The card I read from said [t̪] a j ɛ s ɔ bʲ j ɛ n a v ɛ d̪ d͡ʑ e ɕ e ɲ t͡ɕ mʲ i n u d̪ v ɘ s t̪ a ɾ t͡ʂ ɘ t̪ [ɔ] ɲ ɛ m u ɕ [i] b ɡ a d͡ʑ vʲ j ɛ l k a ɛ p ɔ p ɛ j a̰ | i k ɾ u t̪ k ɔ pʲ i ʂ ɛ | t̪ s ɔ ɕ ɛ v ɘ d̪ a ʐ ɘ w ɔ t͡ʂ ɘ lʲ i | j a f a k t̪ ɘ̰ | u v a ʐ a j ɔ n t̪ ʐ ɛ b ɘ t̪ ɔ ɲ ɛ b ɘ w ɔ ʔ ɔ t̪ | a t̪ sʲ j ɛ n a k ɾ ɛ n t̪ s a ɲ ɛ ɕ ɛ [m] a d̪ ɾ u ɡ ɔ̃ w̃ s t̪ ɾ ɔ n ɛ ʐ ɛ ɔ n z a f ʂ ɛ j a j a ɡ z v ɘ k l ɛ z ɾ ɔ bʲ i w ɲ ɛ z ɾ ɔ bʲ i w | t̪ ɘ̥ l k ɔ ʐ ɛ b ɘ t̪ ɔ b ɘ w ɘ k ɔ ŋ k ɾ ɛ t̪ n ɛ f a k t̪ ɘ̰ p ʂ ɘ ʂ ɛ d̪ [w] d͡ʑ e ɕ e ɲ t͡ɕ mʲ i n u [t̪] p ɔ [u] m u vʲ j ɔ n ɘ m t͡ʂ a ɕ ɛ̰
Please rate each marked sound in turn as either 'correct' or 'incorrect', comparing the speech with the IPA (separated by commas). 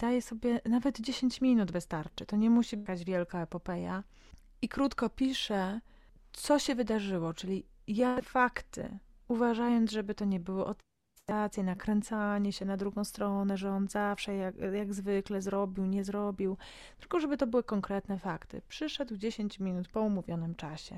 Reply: incorrect, correct, correct, incorrect, correct, correct, correct